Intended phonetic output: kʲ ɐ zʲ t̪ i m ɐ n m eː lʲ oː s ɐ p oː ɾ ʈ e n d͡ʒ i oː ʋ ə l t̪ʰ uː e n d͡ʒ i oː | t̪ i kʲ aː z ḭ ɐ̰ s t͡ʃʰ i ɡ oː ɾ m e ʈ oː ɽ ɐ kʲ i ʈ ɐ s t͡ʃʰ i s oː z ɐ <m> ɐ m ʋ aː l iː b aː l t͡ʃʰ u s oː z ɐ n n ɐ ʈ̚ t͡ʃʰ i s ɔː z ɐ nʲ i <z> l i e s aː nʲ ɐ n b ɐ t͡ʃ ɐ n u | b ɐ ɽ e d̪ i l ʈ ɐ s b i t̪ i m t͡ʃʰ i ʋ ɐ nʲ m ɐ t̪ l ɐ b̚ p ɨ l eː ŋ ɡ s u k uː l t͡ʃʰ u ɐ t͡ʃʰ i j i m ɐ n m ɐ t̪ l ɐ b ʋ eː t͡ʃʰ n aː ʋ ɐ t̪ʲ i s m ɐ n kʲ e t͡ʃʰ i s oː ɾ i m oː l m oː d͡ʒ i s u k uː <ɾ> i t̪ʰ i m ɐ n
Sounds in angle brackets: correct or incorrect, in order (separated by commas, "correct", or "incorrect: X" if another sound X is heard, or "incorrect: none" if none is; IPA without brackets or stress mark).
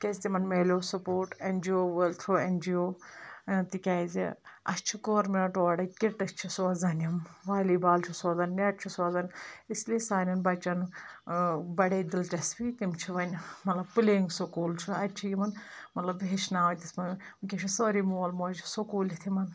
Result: incorrect: n, incorrect: s, incorrect: l